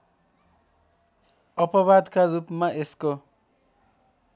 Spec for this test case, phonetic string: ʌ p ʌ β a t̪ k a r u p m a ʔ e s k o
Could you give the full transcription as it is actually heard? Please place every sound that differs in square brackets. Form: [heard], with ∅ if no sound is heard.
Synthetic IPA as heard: ʌ p ʌ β a [d̪] k a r u p m a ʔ e s k o